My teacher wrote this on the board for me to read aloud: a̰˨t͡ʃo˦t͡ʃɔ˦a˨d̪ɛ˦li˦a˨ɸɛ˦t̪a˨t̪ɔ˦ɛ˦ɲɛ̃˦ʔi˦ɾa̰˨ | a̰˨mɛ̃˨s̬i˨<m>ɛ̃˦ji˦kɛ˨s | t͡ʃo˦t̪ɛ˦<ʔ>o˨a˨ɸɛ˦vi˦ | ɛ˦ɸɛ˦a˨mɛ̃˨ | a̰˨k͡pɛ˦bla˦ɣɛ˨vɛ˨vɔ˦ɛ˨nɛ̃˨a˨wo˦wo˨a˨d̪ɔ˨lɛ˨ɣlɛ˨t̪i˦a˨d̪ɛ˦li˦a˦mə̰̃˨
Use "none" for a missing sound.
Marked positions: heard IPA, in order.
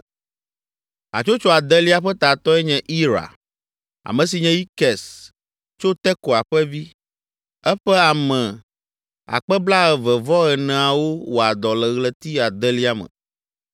ɲ, k

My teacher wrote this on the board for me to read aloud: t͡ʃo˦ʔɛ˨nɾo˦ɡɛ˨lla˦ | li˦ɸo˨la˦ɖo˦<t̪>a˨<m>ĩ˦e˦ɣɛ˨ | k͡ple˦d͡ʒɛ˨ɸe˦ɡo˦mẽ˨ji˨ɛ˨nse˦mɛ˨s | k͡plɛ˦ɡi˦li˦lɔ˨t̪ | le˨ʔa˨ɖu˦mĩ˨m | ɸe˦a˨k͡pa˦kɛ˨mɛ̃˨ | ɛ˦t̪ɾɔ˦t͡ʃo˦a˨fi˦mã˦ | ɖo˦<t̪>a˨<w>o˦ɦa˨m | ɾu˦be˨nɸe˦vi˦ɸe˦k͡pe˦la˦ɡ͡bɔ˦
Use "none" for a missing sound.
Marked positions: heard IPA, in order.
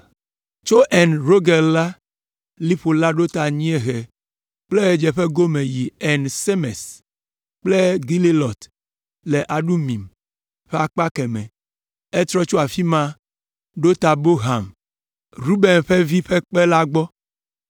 t̪, ɲ, t̪, b

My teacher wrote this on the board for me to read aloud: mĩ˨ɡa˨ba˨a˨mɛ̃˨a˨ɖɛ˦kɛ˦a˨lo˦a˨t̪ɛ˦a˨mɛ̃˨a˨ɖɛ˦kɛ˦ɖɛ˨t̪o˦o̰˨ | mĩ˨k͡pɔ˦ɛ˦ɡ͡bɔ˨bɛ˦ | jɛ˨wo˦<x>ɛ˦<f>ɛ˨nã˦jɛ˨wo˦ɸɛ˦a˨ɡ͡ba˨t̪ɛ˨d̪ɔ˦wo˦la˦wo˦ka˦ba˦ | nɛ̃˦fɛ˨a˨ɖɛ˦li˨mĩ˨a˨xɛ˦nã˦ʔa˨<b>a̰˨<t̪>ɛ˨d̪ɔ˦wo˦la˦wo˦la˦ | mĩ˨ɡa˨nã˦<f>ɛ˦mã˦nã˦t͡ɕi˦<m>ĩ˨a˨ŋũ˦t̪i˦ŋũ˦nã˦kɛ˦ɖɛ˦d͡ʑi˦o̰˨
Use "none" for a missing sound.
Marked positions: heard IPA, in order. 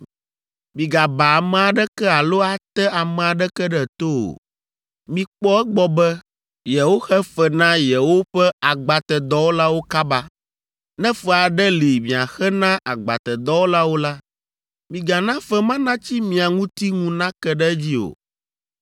x, f, ɡ͡b, t̪, f, m

